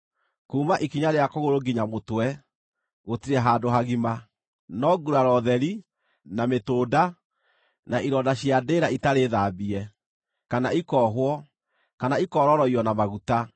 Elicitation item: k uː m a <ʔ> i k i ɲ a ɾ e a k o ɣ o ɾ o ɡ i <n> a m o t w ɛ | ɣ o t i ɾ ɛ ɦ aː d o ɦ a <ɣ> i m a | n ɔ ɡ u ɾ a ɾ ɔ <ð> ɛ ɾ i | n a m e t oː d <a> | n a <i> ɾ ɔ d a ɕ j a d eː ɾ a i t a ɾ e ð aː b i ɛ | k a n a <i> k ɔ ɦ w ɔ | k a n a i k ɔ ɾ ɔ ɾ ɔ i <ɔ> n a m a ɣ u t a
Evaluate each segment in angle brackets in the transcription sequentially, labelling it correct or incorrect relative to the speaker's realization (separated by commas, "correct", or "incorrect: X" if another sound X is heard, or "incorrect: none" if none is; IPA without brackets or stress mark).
correct, incorrect: ɲ, correct, correct, correct, correct, correct, correct